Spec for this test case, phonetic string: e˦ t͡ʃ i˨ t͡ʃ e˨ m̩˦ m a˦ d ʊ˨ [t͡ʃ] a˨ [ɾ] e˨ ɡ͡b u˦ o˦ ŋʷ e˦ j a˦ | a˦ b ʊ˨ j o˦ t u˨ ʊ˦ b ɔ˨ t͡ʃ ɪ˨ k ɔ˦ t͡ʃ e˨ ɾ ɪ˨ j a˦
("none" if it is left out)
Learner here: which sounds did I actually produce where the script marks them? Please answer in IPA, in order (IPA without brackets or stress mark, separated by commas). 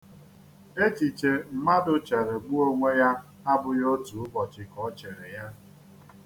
t͡ʃ, ɾ